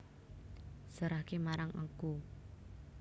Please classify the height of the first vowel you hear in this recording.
mid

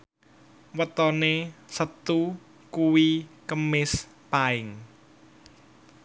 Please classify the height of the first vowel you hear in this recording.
mid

